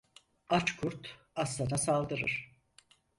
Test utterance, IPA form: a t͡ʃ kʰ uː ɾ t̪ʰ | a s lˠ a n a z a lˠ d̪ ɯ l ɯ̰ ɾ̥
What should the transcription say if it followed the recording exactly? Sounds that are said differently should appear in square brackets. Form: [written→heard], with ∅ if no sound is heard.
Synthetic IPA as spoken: a t͡ʃ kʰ [uː→u] ɾ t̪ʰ | a s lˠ a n a [z→s] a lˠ d̪ ɯ [l→ɾ] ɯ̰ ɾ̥